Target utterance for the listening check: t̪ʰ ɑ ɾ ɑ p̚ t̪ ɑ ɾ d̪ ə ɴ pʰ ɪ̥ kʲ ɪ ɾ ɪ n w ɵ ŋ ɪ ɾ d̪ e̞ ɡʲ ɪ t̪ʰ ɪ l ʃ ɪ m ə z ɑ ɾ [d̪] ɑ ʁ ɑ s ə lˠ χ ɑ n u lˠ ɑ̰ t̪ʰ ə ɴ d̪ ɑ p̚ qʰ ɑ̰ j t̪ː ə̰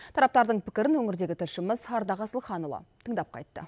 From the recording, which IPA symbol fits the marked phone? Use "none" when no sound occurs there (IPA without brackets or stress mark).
d̪